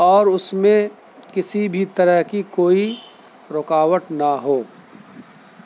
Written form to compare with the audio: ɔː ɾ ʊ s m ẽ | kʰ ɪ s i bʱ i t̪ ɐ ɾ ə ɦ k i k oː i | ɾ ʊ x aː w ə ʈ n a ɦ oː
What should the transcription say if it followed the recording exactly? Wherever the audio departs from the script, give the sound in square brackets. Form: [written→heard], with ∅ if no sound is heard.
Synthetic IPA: ɔː ɾ ʊ s m ẽ | [kʰ→k] ɪ s i bʱ i t̪ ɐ ɾ ə ɦ k i k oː i | ɾ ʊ [x→k] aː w ə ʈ n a ɦ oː